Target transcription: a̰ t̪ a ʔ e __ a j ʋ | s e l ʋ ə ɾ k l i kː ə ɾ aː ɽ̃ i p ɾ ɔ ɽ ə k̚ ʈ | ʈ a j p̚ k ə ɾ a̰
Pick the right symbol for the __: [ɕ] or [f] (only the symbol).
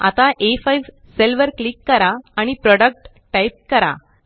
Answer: f